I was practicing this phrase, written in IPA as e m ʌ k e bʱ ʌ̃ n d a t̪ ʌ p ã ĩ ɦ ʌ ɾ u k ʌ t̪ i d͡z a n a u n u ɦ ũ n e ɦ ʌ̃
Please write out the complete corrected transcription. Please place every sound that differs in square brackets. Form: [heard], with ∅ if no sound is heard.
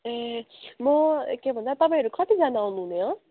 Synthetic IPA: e m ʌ k e bʱ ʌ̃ n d a t̪ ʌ p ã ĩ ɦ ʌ ɾ u k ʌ t̪ i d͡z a n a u n u ɦ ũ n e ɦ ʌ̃